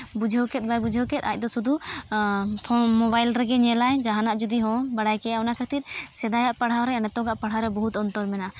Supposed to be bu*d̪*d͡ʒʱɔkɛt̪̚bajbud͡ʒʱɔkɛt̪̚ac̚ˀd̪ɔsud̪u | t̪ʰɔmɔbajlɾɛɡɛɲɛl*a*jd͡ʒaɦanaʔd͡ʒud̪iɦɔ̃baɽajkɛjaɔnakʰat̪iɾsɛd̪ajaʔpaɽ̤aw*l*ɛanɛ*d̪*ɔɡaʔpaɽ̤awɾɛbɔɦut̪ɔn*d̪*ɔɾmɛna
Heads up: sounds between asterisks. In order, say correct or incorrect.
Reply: incorrect, correct, incorrect, incorrect, incorrect

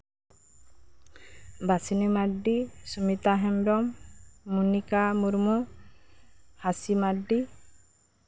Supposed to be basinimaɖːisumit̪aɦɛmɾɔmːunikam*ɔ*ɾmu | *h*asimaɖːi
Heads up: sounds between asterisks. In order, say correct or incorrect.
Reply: incorrect, correct

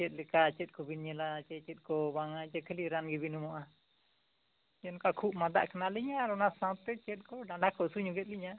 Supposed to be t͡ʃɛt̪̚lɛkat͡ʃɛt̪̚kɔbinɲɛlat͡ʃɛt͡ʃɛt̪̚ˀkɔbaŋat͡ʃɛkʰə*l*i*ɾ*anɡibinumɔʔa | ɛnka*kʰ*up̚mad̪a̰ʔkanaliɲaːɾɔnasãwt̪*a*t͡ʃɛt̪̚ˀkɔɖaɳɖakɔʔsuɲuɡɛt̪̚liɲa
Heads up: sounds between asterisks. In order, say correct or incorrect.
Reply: correct, correct, correct, incorrect

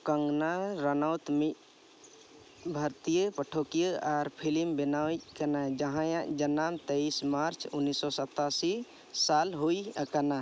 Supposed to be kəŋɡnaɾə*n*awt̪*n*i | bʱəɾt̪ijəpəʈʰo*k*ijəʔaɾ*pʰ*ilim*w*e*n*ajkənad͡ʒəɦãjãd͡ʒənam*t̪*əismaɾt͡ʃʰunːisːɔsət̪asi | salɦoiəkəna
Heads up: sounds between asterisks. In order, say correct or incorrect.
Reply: correct, incorrect, correct, correct, incorrect, correct, correct

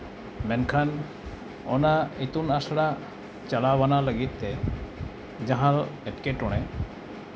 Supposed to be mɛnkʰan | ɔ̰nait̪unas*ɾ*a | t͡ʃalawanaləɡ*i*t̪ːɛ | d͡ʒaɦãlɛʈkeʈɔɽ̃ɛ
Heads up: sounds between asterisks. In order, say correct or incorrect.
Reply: incorrect, correct

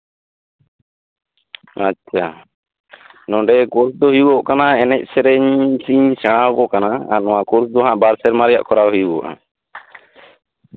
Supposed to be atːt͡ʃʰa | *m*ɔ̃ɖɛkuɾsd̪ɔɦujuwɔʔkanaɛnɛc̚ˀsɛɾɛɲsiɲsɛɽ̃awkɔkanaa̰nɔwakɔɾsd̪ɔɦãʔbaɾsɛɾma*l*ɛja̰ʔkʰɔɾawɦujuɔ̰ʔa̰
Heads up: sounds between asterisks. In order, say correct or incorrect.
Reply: incorrect, incorrect

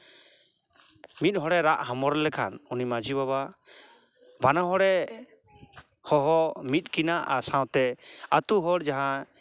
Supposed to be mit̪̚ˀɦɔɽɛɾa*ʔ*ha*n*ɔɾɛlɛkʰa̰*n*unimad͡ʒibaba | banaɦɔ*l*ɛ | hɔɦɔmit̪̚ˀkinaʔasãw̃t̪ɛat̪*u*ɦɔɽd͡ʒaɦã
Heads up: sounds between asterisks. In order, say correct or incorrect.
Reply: correct, incorrect, correct, incorrect, correct

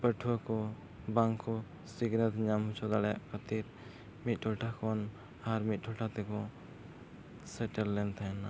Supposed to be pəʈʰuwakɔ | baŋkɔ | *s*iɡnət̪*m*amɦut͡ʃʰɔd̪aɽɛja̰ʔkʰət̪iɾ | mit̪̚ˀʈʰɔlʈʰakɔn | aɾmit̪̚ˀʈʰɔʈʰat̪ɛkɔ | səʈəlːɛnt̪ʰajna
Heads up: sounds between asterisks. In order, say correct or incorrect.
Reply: correct, incorrect

